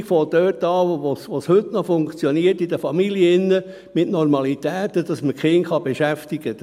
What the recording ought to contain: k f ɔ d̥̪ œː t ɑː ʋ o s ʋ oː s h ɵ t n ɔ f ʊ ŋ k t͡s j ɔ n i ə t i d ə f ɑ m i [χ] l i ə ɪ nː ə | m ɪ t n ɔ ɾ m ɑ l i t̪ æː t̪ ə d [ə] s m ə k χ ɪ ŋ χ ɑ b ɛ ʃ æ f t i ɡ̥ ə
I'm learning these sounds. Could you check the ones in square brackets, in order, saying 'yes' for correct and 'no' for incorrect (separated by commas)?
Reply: no, no